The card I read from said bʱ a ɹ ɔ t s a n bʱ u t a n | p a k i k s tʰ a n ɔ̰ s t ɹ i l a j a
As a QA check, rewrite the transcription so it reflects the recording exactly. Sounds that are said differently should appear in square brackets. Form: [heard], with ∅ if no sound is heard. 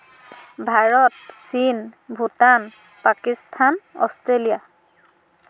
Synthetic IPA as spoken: bʱ a ɹ ɔ t s [i] n bʱ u t a n | p a k i [∅] s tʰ a n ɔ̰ s t ɹ [e] l [i] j a